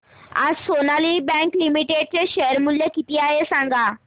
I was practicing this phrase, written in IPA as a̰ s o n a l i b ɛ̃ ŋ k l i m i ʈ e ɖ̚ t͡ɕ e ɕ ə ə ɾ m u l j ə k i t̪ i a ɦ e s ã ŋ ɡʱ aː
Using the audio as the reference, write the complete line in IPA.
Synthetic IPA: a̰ s o n a l i b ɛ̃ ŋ k l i m i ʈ e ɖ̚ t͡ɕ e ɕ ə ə ɾ m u l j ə k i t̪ i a ɦ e s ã ŋ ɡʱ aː